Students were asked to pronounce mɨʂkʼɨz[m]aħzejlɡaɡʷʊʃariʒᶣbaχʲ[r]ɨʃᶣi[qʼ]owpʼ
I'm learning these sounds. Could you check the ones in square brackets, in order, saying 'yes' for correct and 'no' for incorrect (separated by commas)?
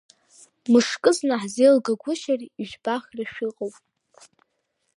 no, yes, yes